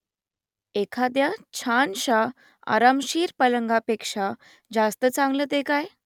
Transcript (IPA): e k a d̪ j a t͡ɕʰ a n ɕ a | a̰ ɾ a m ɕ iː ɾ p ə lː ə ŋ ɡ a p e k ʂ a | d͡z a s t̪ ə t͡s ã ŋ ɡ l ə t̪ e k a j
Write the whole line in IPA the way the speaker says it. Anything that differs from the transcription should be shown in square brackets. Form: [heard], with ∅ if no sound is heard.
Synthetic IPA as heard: e [kʰ] a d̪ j a t͡ɕʰ a n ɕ a | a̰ ɾ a m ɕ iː ɾ p ə [l] ə ŋ ɡ a p e k ʂ a | d͡z a s t̪ ə t͡s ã ŋ ɡ l ə t̪ e k a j